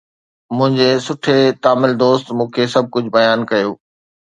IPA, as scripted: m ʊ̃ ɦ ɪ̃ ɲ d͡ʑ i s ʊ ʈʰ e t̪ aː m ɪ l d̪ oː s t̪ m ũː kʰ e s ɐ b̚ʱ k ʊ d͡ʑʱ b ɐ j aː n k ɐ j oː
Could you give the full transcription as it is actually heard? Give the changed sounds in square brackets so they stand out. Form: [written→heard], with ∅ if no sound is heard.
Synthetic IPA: m ʊ̃ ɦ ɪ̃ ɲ d͡ʑ [i→e] s ʊ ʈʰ e t̪ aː m ɪ l d̪ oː s t̪ m ũː kʰ e s ɐ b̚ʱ k ʊ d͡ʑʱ b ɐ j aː n k ɐ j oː